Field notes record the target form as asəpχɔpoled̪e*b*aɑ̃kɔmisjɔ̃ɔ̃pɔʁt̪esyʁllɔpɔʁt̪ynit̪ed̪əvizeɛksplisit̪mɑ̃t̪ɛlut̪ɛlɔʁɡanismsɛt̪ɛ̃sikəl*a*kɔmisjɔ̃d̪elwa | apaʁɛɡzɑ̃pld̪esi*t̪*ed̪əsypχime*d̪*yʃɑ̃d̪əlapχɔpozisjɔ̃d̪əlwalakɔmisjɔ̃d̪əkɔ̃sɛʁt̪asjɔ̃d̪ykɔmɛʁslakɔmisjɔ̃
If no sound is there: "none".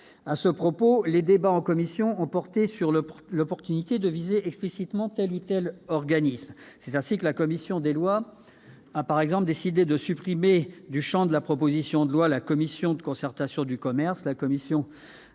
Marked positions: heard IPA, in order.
b, a, d̪, d̪

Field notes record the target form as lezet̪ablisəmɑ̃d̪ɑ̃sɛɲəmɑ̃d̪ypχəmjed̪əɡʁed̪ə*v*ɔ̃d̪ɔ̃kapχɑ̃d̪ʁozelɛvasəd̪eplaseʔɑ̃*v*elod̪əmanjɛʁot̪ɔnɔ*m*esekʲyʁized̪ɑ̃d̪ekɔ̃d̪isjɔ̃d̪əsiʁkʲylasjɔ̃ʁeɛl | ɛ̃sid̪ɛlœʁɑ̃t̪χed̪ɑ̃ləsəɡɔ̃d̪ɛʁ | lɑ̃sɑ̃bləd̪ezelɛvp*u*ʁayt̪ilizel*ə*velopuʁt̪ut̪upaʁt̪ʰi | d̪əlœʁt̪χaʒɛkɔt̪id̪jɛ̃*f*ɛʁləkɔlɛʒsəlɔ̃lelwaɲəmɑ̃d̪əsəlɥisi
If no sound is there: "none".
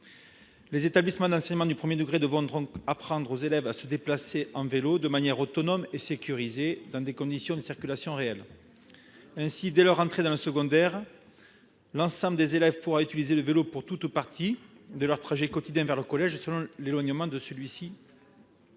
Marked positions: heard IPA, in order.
v, v, m, u, ə, v

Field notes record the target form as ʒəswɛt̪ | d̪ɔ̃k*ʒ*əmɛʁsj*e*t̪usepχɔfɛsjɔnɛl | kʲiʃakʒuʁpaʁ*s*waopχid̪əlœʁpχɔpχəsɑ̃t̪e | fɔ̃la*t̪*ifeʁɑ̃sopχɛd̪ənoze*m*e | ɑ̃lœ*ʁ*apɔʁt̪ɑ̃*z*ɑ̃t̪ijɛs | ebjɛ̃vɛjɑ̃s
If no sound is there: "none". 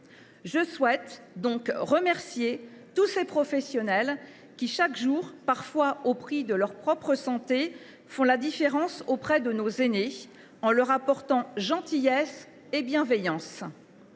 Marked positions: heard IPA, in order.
ʁ, e, f, d̪, n, ʁ, ʒ

